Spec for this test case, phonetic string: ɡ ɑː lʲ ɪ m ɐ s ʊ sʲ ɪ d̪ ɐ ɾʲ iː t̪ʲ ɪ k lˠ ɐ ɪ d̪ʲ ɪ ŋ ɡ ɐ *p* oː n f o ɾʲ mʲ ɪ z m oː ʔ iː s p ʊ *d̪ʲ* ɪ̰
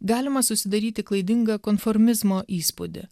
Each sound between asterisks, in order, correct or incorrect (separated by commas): incorrect, correct